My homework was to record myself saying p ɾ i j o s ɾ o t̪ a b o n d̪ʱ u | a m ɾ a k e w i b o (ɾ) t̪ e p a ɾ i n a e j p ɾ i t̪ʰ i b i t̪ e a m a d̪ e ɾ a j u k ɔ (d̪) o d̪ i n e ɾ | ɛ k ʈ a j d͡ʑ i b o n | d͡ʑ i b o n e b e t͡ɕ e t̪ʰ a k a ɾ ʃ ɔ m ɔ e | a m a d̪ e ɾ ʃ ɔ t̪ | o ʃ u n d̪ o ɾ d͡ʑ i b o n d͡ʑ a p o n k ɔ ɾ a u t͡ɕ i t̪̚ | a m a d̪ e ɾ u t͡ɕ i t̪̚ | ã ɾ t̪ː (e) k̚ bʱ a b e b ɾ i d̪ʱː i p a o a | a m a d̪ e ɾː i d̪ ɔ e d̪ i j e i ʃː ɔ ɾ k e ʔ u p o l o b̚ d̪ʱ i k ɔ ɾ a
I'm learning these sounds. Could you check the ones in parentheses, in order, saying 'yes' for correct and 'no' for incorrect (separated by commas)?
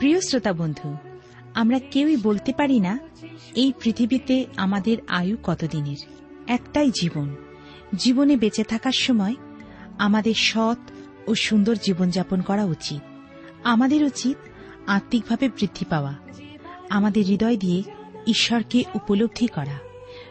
no, no, no